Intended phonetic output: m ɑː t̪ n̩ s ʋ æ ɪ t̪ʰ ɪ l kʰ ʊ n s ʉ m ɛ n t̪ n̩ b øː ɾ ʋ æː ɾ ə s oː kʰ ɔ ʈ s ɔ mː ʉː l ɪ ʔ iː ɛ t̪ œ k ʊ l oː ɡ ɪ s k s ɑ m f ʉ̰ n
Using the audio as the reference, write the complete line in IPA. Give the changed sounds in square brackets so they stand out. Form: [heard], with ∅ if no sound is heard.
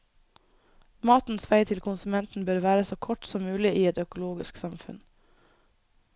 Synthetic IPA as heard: m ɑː t̪ n̩ s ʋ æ ɪ t̪ʰ ɪ l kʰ ʊ n s ʉ m ɛ n t̪ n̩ b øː ɾ ʋ æː ɾ ə s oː kʰ ɔ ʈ s ɔ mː ʉː l ɪ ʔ iː ɛ t̪ œ k ʊ l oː ɡ ɪ s k s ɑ m f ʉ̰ n